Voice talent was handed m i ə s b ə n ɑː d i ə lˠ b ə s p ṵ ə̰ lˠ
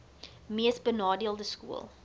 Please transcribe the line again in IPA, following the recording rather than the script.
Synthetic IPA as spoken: m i ə s b ə n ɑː d i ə lˠ d ə s k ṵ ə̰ lˠ

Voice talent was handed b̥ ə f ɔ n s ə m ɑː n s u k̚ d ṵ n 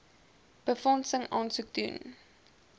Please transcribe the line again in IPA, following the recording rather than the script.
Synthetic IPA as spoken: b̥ ə f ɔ n s ə ŋ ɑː n s u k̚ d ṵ n

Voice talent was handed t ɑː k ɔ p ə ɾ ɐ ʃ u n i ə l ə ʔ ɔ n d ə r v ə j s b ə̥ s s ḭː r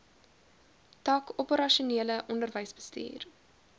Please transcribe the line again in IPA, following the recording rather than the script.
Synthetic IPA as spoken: t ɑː k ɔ p ə ɾ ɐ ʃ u n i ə l ə ʔ ɔ n d ə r v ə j s b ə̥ s t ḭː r

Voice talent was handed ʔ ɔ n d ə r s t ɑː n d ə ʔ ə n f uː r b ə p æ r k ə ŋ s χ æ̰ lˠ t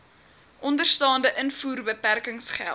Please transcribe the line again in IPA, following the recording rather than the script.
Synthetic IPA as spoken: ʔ ɔ n d ə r s t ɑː n d ə ʔ ə n f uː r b ə p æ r k ə ŋ s χ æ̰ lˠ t

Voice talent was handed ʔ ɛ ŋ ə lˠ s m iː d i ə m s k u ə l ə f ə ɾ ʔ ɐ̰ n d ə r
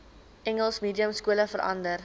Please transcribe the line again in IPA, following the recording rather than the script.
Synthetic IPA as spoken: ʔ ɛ ŋ ə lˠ s m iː d i ə m s k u ə l ə f ə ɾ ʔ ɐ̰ n d ə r

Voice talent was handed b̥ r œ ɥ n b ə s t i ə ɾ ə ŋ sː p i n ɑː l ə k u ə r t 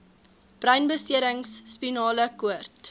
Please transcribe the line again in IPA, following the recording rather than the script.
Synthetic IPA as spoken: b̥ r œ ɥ n b ə s t i ə ɾ ə ŋ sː p i n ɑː l ə k u ə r t

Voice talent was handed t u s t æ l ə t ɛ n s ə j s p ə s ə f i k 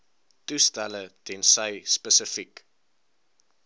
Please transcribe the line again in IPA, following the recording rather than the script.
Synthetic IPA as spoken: t u s t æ l ə t ɛ n s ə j s p ə s ə f i k

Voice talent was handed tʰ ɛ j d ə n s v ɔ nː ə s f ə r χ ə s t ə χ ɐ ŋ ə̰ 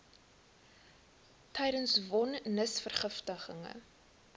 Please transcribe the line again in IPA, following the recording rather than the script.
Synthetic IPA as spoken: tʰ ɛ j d ə n s v ɔ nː ə s f ə r χ ə f t ə χ ə ŋ ə̰

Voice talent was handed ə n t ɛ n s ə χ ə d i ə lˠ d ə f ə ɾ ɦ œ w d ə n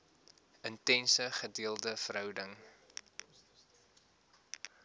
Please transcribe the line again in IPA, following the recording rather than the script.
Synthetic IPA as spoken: ə n t ɛ n s ə χ ə d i ə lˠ d ə f ə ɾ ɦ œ w d ə ŋ

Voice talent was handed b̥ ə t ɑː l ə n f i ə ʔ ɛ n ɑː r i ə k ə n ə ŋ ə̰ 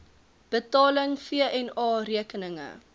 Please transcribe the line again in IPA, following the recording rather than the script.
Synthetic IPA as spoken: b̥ ə t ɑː l ə ŋ f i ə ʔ ɛ n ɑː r i ə k ə n ə ŋ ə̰

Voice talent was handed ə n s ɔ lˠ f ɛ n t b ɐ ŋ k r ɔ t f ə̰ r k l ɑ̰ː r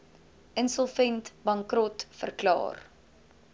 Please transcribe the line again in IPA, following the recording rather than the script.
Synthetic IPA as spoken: ə n s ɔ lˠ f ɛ n t b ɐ ŋ k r ɔ t f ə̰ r k l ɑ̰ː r

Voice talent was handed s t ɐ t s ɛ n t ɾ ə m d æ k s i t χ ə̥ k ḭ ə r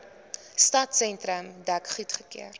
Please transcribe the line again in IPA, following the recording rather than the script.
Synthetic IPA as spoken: s t ɐ t s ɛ n t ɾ ə m d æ k χ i t χ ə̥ k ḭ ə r

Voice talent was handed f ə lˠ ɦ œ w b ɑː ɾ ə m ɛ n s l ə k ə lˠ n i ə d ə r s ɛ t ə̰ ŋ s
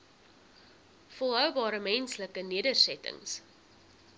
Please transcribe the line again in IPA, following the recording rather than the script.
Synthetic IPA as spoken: f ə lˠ ɦ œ w b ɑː ɾ ə m ɛ n s l ə k ə n i ə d ə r s ɛ t ə̰ ŋ s

